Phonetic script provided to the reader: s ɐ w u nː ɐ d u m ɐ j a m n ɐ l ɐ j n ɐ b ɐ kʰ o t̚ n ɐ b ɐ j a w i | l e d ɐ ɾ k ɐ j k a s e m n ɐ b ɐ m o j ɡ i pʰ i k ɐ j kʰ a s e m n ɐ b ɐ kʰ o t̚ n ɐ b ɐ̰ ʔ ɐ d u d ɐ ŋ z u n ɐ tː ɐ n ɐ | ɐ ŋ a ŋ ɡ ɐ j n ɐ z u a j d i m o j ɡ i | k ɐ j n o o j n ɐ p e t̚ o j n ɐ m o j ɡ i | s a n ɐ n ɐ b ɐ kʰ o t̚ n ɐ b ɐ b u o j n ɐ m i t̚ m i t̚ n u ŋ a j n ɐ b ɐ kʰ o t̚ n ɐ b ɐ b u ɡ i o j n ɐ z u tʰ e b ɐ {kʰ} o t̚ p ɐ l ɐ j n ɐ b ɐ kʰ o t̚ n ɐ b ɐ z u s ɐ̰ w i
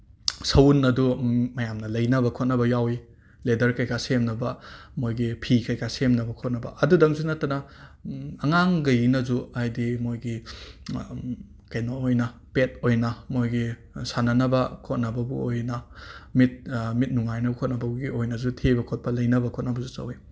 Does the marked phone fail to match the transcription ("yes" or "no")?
no